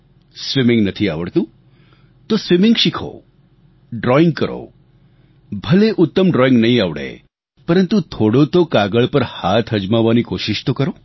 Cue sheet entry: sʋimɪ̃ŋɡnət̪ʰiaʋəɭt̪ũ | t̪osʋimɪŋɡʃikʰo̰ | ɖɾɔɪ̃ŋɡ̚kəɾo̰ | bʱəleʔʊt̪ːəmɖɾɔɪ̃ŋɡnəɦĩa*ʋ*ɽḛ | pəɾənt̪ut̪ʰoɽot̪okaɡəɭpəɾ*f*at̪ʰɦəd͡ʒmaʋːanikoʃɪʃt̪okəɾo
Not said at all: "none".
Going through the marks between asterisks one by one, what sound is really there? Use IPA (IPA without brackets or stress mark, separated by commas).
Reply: ʋ, h